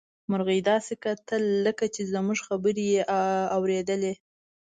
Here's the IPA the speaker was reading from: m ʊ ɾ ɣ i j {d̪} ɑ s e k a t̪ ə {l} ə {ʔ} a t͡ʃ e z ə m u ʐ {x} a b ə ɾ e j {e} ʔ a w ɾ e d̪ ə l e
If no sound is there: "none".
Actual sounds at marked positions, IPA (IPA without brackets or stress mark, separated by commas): d̪, lː, k, x, e